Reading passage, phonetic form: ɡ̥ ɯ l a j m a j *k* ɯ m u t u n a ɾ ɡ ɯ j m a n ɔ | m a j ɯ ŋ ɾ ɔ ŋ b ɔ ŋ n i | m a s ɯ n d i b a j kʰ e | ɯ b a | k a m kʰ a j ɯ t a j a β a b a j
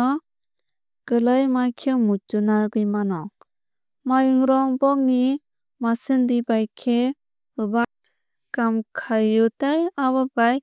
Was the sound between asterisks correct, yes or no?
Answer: no